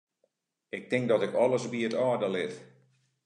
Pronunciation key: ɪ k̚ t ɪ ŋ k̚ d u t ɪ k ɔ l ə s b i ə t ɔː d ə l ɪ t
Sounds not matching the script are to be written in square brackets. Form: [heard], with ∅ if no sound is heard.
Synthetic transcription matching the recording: ɪ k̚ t ɪ ŋ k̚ d [ɔ] t ɪ k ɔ l ə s b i ə t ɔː d ə l ɪ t

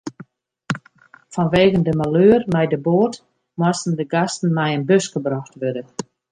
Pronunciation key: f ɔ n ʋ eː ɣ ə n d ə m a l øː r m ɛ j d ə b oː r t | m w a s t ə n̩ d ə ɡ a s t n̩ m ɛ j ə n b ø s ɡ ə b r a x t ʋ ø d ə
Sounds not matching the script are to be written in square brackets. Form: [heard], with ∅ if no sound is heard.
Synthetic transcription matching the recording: f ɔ n ʋ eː ɣ ə n d ə m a l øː r m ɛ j d ə b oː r t | m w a s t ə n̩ d ə ɡ a s t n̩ m ɛ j ə n b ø s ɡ ə b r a x t ʋ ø d ə

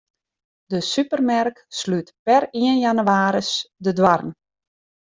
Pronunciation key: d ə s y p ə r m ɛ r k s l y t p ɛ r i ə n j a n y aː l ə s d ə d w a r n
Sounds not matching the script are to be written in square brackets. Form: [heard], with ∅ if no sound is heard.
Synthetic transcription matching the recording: d ə s y p ə r m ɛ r k s l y t p ɛ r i ə n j a n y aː [ɾ] ə s d ə d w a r n

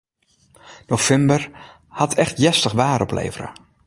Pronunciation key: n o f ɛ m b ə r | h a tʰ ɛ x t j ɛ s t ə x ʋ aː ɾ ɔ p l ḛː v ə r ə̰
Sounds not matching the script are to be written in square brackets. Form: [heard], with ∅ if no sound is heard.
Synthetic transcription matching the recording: n o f ɛ m b ə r | h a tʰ ɛ x t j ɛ s t ə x ʋ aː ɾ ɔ p l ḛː v ə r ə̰

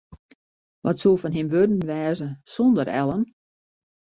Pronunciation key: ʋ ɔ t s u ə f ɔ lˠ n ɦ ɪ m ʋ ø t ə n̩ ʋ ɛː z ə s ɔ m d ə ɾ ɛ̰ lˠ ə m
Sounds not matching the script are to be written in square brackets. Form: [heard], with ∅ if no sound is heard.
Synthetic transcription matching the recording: ʋ ɔ t s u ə f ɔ [∅] n ɦ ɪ m ʋ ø [d] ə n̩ ʋ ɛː z ə s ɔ [n] d ə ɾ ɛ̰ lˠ ə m

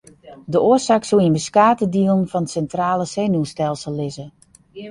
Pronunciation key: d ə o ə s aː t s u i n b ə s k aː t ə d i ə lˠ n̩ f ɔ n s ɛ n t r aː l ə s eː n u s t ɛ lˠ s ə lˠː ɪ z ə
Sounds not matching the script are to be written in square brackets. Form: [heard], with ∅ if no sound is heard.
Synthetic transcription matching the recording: d ə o ə s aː [k] s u i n b ə s k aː t ə d i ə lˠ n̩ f ɔ n s ɛ n t r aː l ə s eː n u s t ɛ lˠ s ə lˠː ɪ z ə

